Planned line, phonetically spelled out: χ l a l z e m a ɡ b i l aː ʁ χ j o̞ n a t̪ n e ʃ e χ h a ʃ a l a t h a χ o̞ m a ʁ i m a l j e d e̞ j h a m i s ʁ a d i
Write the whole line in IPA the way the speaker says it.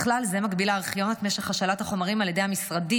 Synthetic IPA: χ l a l z e m a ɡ b i l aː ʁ χ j o̞ n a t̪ m e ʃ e χ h a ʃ a l a t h a χ o̞ m a ʁ i m a l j e d e̞ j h a m i s ʁ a d i